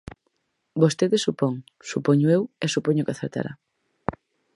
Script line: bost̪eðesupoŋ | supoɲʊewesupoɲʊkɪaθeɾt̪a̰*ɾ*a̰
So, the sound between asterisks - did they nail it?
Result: yes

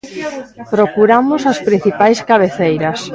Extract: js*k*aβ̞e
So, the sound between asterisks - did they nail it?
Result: yes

